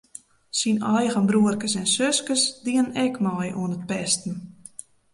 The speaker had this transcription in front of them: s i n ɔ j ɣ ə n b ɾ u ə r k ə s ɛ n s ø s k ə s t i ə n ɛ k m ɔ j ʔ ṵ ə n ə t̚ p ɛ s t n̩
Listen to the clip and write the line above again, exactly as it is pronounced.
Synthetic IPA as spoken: s i n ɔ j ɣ ə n b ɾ u ə r k ə s ɛ n s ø s k ə s d i ə n ɛ k m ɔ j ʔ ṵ ə n ə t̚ p ɛ s t n̩